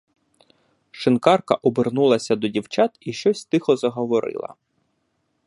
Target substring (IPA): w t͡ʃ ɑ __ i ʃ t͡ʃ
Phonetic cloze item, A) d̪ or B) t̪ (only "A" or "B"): B